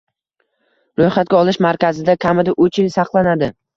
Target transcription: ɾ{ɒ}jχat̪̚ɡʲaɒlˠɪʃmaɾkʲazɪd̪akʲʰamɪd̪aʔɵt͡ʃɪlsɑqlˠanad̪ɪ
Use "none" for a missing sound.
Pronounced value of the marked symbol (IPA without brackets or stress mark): o